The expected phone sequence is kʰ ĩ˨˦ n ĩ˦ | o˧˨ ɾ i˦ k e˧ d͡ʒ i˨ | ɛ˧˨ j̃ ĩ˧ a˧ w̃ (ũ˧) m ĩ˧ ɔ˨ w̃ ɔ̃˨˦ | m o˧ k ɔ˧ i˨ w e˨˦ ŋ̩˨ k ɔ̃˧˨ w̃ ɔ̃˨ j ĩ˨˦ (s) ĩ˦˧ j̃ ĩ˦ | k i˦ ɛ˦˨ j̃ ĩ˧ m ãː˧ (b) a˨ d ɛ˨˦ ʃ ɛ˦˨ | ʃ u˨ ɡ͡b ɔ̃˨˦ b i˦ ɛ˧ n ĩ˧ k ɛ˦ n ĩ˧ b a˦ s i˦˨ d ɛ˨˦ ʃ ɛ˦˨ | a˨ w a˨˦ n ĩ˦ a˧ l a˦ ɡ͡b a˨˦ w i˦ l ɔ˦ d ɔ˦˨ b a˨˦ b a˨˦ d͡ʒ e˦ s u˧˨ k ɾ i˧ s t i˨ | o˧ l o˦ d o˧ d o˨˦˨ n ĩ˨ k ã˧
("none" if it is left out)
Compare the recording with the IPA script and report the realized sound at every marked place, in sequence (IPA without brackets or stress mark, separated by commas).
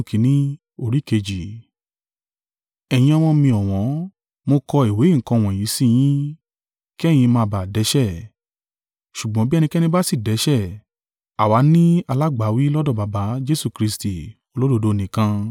ɔ̃˧, s, b